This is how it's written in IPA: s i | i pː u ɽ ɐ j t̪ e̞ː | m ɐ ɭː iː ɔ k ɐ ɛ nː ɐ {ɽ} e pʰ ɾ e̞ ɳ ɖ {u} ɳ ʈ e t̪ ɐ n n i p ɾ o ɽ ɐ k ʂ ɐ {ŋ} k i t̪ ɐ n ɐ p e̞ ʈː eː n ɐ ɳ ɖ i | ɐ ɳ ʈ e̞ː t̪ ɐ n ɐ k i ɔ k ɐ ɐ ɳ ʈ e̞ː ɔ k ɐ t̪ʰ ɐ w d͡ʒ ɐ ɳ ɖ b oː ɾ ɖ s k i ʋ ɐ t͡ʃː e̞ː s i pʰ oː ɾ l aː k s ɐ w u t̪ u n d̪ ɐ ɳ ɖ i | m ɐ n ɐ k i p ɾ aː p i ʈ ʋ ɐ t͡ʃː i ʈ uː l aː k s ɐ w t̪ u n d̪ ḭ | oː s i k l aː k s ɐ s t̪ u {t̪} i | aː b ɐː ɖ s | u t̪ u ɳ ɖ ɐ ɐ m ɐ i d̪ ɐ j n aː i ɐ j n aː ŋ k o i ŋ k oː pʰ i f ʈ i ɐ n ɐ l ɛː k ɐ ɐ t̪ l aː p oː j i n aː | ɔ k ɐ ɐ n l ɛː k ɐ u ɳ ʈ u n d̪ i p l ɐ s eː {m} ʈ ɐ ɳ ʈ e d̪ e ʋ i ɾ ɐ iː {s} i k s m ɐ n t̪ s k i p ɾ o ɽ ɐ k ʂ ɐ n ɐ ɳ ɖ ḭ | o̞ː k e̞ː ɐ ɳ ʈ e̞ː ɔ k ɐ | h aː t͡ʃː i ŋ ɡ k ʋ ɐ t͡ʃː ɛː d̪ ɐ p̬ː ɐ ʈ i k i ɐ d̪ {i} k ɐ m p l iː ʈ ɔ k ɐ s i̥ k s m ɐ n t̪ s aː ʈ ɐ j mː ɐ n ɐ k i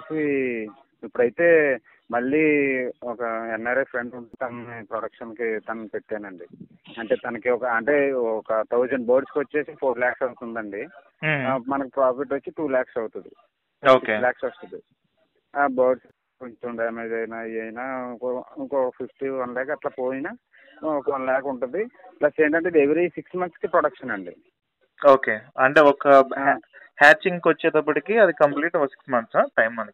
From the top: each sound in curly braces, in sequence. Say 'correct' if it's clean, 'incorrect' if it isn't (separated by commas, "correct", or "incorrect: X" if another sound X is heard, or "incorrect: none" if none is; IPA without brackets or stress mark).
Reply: incorrect: ɾ, correct, incorrect: n, incorrect: d̪, incorrect: ɳ, correct, correct